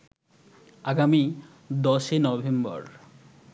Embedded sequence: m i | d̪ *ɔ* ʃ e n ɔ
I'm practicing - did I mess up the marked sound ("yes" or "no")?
no